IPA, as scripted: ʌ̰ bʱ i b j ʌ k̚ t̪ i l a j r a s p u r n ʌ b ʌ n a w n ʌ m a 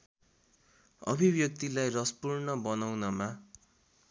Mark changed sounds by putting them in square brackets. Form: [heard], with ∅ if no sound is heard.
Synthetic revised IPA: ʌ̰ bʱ i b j ʌ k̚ t̪ i l a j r [ʌ] s p u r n ʌ b ʌ n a w n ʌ m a